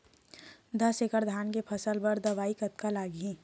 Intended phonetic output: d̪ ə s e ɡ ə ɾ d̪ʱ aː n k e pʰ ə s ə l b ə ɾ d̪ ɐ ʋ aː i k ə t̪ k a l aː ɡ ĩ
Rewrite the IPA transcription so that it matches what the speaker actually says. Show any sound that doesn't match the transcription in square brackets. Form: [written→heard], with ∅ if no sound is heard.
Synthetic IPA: d̪ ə s e [ɡ→k] ə ɾ d̪ʱ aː n k e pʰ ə s ə l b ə ɾ d̪ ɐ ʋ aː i k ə t̪ k a l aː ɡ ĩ